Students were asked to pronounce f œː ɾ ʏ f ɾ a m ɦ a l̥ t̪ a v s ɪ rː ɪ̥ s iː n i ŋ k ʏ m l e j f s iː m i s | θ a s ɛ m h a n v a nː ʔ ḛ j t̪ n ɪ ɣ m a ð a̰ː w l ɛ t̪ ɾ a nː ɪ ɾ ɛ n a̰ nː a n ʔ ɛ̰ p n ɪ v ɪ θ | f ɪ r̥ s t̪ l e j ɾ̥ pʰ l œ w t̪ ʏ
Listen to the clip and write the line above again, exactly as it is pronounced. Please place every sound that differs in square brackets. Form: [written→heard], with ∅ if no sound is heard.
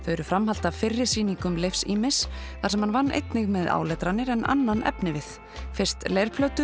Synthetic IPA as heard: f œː ɾ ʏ f ɾ a m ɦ a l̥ t̪ a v [s→f] ɪ rː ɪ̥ s iː n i ŋ k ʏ m l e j f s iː m [i→ɪ] s | θ a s ɛ m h a n v a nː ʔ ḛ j t̪ n ɪ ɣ m [a→ɛ] ð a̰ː w l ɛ t̪ ɾ a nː ɪ ɾ ɛ n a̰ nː a n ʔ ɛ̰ p n ɪ v ɪ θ | f ɪ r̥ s t̪ l e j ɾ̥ pʰ l œ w t̪ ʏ